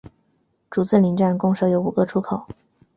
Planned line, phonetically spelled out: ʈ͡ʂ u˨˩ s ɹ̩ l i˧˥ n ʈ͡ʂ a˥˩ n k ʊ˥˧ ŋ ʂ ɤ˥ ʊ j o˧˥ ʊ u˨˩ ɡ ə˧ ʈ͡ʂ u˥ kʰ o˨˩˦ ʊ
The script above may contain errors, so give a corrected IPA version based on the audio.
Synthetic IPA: ʈ͡ʂ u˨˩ t͡s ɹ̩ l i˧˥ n ʈ͡ʂ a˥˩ n k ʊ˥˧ ŋ ʂ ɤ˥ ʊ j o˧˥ ʊ u˨˩ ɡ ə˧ ʈ͡ʂʰ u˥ kʰ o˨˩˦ ʊ